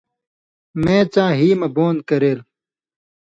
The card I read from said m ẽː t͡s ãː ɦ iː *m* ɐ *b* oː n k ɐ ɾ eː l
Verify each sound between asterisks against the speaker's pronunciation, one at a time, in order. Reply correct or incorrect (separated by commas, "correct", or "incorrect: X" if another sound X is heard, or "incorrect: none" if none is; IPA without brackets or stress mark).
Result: correct, correct